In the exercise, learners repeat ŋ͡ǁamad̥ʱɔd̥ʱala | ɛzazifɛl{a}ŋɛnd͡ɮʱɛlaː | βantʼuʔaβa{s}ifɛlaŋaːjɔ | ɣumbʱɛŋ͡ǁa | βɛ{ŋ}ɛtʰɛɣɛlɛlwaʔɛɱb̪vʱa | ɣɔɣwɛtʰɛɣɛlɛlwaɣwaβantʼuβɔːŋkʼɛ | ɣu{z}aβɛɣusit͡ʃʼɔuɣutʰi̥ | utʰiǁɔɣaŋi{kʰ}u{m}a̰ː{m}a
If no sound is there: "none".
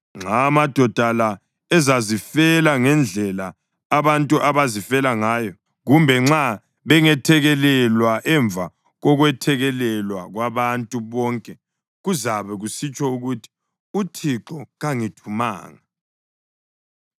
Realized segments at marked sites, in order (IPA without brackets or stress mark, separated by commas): a, z, ŋ, z, tʰ, m, ŋ